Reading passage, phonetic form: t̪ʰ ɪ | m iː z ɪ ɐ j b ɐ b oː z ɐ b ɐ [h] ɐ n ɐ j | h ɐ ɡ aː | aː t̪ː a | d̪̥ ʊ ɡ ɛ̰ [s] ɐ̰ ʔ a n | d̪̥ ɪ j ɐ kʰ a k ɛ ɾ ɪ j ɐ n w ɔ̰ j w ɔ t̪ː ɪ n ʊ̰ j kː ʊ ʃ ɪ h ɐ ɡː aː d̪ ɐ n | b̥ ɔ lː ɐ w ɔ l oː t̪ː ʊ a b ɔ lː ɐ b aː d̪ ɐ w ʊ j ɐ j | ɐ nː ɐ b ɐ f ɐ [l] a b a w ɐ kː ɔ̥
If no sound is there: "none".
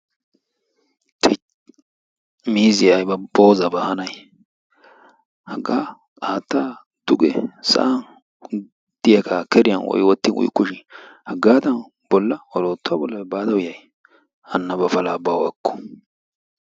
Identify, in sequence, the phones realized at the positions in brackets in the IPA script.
h, s, l

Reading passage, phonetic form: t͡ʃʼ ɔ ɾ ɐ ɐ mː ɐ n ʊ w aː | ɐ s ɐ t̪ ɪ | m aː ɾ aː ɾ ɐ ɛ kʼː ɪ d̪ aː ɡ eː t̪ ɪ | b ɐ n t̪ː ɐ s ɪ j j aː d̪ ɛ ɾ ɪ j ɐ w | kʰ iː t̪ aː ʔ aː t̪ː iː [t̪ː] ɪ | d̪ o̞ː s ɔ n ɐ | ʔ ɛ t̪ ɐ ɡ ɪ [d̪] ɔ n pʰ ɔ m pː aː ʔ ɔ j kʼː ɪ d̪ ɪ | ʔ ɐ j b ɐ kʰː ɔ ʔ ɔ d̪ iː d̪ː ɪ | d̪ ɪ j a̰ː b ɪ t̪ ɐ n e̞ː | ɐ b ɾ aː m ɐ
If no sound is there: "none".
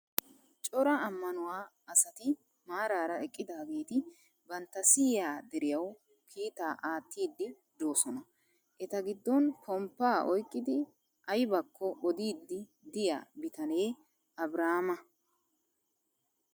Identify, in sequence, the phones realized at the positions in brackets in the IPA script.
d̪ː, d̪ː

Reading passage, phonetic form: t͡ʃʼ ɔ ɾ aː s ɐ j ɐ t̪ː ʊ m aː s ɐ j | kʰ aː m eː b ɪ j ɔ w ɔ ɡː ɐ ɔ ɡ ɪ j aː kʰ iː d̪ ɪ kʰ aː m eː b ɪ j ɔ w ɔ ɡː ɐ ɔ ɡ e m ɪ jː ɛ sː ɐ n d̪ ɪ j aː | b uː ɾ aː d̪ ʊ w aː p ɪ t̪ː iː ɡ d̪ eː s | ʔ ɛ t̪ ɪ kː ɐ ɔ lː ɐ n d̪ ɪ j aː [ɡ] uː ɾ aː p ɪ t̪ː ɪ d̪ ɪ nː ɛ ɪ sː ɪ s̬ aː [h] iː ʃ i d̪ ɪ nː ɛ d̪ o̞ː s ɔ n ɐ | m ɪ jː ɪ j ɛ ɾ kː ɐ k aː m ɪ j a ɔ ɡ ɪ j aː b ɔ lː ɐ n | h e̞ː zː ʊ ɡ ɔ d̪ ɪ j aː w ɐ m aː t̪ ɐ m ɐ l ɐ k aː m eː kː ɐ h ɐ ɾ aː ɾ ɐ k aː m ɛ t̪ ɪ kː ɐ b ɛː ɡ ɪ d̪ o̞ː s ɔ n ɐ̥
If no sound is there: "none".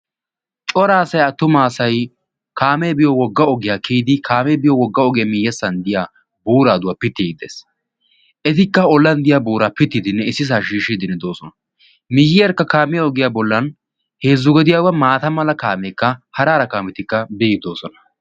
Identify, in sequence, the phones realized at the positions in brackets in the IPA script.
b, ʃ

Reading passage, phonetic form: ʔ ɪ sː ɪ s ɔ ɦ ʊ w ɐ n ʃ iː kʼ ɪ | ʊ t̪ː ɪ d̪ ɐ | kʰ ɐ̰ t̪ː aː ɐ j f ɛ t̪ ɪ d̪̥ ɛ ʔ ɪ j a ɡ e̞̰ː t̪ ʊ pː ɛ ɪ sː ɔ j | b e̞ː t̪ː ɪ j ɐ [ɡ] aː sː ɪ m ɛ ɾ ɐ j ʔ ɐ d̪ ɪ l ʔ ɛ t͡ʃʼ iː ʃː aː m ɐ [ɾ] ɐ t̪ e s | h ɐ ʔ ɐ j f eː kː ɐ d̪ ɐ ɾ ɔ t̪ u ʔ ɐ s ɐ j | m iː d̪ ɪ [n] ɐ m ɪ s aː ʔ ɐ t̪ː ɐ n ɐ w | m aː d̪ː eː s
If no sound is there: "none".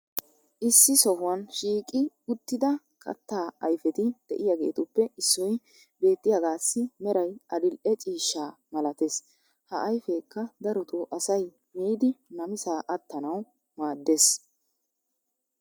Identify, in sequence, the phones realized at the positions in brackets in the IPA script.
ɡ, l, n

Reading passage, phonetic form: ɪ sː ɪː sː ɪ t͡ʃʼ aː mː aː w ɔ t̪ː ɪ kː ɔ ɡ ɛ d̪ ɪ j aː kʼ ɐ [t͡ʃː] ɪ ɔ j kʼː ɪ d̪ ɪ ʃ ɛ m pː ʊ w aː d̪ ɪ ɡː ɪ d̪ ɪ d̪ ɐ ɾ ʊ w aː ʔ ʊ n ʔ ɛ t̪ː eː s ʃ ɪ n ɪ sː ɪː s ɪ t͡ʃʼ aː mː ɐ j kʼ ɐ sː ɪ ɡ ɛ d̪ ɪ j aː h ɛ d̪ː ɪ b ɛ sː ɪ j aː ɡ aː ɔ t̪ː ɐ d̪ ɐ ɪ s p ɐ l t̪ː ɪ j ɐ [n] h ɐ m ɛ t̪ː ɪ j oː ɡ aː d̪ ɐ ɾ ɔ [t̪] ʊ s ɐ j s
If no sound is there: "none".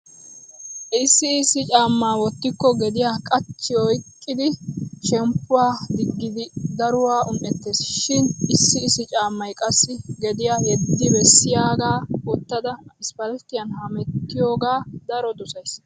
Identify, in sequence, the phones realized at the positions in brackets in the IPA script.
t͡ʃː, n, d̪

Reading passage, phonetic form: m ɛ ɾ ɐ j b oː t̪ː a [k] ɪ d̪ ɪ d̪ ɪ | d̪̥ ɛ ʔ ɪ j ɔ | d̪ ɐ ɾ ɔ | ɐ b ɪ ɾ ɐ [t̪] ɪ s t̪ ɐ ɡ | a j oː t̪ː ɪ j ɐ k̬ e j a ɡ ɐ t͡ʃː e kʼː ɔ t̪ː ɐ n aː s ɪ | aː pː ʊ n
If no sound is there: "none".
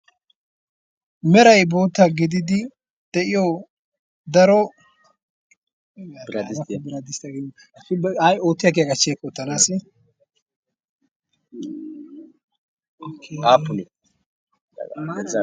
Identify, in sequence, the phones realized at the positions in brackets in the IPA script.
ɡ, d̪

